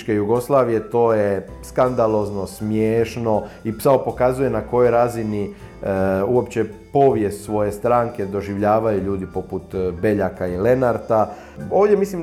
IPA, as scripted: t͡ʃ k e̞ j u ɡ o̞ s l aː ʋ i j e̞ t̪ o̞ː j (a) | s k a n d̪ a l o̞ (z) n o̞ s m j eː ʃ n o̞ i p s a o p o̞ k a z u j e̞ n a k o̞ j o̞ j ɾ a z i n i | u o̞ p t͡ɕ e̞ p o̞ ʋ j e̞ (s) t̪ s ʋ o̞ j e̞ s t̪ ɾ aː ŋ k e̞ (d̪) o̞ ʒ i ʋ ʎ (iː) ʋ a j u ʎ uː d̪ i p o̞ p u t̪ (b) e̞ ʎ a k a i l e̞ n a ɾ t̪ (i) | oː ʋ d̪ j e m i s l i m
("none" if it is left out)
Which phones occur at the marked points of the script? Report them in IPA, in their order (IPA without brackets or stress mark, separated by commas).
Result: e, z, s, d̪, aː, b, a